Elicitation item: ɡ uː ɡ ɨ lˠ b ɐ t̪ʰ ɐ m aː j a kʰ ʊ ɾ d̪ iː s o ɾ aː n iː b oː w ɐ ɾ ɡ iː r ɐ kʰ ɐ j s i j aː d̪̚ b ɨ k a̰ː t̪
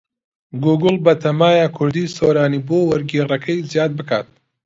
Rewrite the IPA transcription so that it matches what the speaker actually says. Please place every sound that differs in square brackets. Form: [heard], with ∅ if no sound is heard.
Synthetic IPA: ɡ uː ɡ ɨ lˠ b ɐ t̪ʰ ɐ m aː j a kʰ ʊ ɾ d̪ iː s o ɾ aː n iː b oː w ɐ ɾ ɡ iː r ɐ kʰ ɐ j [z] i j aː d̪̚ b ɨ k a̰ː t̪

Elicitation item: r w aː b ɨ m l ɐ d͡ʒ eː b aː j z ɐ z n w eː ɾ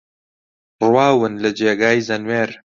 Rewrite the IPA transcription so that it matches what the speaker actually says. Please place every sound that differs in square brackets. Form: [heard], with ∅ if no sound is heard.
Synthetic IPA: r w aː [w] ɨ [n] l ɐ d͡ʒ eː [ɡ] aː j z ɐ [∅] n w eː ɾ

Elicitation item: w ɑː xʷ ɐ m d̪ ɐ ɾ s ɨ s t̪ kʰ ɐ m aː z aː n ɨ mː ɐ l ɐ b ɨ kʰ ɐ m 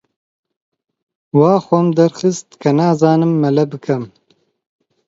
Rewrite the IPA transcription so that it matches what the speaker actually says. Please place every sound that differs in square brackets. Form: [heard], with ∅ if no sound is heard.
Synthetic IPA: w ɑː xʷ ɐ m d̪ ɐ ɾ [x] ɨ s t̪ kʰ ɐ [n] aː z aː n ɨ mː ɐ l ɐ b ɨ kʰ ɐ m

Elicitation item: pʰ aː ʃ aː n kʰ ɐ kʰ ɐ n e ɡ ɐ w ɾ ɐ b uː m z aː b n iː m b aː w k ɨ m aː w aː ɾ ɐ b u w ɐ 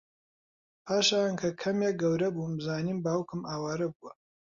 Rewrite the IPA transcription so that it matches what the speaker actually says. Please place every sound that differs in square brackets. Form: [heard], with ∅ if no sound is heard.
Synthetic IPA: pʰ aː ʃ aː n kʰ ɐ kʰ ɐ [m] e ɡ ɐ w ɾ ɐ b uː m z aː [∅] n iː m b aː w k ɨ m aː w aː ɾ ɐ b u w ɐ

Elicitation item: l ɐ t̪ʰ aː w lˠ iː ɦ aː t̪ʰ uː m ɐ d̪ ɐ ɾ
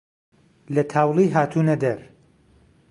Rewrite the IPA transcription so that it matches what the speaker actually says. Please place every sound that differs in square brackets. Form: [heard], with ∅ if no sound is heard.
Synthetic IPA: l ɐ t̪ʰ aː w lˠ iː ɦ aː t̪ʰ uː [n] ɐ d̪ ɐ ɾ

